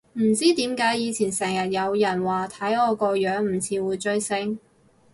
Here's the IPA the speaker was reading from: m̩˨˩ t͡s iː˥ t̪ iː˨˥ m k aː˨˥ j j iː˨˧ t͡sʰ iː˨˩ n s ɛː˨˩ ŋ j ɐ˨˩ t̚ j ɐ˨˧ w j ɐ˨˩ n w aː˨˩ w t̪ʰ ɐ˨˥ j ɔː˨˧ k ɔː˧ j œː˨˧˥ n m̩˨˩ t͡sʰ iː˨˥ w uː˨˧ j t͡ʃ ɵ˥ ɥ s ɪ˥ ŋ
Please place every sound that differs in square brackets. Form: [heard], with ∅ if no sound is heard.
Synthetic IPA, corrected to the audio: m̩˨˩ t͡s iː˥ t̪ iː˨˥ m k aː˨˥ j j iː˨˧ t͡sʰ iː˨˩ n s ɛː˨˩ ŋ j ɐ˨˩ t̚ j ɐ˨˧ w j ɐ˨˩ n w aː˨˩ [∅] t̪ʰ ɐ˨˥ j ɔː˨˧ k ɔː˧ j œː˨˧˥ [ŋ] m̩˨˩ t͡sʰ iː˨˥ w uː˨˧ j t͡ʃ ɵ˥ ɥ s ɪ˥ ŋ

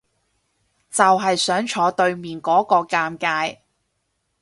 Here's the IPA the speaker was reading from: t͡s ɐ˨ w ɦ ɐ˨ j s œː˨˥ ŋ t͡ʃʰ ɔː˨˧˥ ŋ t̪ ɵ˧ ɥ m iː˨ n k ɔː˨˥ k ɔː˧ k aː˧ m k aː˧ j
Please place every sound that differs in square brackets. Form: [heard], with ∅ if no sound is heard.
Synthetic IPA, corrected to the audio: t͡s ɐ˨ w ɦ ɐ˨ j s œː˨˥ ŋ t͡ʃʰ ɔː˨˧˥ [∅] t̪ ɵ˧ ɥ m iː˨ n k ɔː˨˥ k ɔː˧ k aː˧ m k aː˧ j

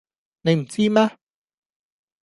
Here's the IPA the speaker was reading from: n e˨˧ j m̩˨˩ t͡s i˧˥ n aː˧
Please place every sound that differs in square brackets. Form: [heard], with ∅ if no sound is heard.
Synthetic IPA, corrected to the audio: n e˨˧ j m̩˨˩ t͡s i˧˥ [m] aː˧

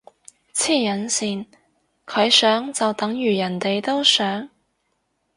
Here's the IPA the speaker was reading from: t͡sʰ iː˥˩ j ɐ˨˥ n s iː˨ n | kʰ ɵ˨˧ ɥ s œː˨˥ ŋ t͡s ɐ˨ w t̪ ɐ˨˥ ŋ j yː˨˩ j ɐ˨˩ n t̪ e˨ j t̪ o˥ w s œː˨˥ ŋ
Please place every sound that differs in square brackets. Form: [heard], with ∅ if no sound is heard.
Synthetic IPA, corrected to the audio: t͡sʰ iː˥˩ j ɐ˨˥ n s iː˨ n | kʰ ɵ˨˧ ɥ s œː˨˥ ŋ t͡s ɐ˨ w t̪ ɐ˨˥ ŋ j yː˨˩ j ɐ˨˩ n t̪ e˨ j t̪ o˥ w s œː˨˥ ŋ

